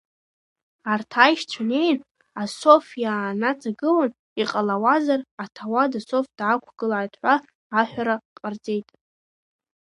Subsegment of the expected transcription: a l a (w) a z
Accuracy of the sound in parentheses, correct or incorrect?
correct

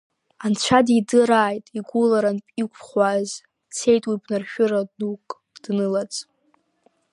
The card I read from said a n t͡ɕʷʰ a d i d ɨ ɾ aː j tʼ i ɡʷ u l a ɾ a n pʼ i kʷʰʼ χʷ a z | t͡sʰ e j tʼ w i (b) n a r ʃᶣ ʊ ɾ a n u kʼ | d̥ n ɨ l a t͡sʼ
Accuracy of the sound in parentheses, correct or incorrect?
correct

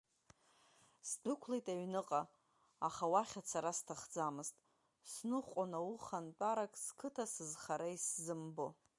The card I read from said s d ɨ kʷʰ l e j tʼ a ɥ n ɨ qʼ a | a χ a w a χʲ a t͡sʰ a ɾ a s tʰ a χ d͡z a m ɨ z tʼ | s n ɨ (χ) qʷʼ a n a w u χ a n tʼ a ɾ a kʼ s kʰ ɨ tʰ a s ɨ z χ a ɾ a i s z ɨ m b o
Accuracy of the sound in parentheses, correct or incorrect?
correct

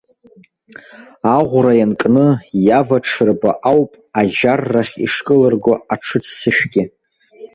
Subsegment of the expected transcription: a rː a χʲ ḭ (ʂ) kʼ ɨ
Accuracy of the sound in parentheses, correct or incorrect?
correct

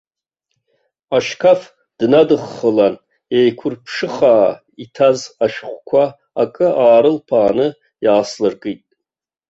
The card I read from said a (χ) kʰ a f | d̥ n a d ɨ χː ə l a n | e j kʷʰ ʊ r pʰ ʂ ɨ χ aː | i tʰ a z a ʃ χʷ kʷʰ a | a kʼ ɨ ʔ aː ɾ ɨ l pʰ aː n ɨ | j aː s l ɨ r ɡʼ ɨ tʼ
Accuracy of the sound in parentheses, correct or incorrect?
incorrect: ʃ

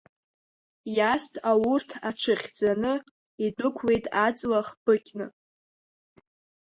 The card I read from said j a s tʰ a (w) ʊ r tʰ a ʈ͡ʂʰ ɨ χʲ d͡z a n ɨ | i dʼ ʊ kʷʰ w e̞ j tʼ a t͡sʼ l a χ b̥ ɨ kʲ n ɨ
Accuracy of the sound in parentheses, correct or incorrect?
correct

